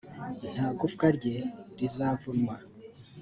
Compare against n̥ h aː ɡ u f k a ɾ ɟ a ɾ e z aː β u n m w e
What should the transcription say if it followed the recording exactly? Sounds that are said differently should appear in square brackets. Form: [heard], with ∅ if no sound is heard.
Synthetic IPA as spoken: n̥ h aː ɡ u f k a ɾ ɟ [e] ɾ [i] z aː [v] u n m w [a]